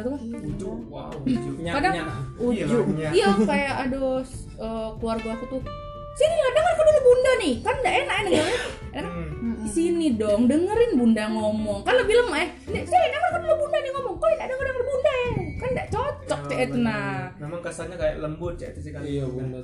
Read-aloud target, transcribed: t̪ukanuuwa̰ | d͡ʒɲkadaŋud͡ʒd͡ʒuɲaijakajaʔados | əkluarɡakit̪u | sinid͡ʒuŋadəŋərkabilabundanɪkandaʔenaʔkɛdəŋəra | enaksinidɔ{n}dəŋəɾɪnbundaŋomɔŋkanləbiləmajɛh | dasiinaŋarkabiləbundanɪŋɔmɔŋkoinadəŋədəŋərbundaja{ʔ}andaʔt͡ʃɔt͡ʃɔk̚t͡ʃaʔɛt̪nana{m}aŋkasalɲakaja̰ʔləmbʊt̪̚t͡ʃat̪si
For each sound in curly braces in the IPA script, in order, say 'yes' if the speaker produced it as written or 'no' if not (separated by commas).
no, no, yes